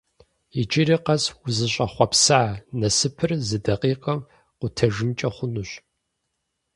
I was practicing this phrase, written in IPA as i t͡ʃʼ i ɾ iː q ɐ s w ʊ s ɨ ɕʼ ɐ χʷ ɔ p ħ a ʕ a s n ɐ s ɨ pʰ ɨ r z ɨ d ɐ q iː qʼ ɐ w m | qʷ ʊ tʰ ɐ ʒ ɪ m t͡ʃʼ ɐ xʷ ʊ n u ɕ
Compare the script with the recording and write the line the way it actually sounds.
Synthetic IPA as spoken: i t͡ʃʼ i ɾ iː q ɐ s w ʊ z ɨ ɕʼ ɐ χʷ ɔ p s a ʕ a n ɐ s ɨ pʰ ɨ r z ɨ d ɐ q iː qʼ ɐ m | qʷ ʊ tʰ ɐ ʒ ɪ m t͡ʃʼ ɐ χʷ ʊ n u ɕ